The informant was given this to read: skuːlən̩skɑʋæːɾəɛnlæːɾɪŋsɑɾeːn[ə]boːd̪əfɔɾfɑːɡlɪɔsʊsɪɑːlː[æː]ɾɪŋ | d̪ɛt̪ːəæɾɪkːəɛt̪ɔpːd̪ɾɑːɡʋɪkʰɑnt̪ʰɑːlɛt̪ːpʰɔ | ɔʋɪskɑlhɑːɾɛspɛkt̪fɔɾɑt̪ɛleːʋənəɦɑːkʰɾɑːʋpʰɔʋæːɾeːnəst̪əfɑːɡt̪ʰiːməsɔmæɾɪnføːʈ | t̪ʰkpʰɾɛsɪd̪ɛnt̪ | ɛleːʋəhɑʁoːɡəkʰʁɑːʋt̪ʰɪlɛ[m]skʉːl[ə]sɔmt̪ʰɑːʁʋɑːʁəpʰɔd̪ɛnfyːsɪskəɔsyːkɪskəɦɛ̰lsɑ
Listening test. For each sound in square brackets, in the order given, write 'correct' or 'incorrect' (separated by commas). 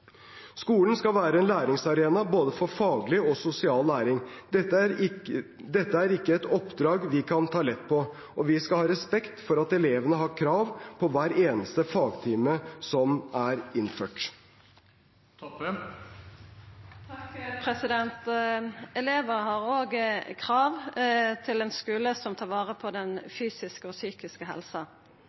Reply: incorrect, correct, incorrect, correct